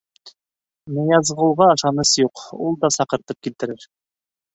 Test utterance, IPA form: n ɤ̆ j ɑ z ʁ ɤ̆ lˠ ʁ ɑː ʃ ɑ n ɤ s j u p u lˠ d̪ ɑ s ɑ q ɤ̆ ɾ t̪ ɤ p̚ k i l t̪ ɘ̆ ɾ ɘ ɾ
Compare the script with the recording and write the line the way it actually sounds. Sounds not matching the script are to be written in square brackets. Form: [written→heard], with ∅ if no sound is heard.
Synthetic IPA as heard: n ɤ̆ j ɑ z ʁ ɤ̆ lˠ ʁ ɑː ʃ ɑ n ɤ s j u [p→q] u lˠ d̪ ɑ s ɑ q ɤ̆ ɾ t̪ ɤ p̚ k i l t̪ ɘ̆ ɾ ɘ ɾ

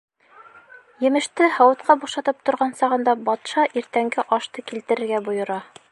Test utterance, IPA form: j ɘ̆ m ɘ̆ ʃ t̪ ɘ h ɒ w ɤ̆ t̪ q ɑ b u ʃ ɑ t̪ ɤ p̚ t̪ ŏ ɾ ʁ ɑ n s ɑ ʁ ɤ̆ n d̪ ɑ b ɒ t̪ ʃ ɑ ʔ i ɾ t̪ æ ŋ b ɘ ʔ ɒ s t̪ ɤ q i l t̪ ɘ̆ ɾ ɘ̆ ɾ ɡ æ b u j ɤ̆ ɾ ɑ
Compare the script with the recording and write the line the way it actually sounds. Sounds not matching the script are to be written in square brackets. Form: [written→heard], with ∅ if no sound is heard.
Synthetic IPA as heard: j ɘ̆ m ɘ̆ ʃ t̪ ɘ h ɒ w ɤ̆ t̪ q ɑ b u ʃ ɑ t̪ ɤ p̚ t̪ ŏ ɾ ʁ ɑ n s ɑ ʁ ɤ̆ n d̪ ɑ b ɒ t̪ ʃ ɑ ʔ i ɾ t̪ æ ŋ [b→ɡ] ɘ ʔ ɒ [s→ʃ] t̪ ɤ [q→k] i l t̪ ɘ̆ ɾ ɘ̆ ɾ ɡ æ b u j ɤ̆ ɾ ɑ

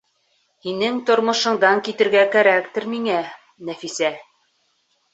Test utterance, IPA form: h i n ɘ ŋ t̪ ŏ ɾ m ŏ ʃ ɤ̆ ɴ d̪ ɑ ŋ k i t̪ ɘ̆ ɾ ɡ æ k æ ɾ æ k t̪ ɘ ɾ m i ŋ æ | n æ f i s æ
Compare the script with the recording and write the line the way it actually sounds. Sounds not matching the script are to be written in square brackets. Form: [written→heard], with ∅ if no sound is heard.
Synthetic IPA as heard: h i n ɘ ŋ t̪ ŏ ɾ m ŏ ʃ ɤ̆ ɴ d̪ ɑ ŋ k i t̪ ɘ̆ ɾ ɡ æ k æ ɾ æ k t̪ ɘ ɾ m i ŋ æ | n æ f i s æ

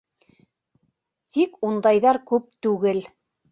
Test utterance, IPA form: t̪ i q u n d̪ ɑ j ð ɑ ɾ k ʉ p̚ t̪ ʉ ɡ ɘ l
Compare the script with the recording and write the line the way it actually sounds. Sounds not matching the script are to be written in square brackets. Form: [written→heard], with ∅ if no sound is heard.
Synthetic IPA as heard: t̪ i [q→k] u n d̪ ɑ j ð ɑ ɾ k ʉ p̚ t̪ ʉ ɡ ɘ l

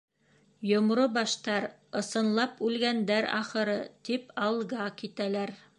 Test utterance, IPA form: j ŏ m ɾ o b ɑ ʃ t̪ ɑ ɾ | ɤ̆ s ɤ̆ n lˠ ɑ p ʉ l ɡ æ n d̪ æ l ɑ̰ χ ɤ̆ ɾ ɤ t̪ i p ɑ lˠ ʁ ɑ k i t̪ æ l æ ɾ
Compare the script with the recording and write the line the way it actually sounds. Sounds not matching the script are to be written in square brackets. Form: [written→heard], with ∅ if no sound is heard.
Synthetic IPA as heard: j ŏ m ɾ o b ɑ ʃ t̪ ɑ ɾ | ɤ̆ s ɤ̆ n lˠ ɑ p ʉ l ɡ æ n d̪ æ [l→ɾ] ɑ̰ χ ɤ̆ ɾ ɤ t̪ i p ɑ lˠ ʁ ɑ k i t̪ æ l æ ɾ

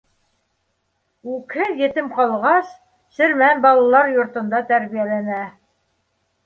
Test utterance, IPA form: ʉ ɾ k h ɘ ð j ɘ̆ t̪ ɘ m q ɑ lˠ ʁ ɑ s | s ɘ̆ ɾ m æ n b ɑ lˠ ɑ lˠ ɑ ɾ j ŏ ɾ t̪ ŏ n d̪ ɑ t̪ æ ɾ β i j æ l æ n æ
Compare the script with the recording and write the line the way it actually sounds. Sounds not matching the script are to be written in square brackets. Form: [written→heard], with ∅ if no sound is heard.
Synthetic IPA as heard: ʉ [ɾ→∅] k h ɘ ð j ɘ̆ t̪ ɘ m q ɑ lˠ ʁ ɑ s | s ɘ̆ ɾ m æ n b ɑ lˠ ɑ lˠ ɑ ɾ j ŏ ɾ t̪ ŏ n d̪ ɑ t̪ æ ɾ β i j æ l æ n æ

